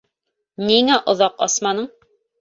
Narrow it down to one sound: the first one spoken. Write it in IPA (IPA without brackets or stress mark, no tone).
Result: n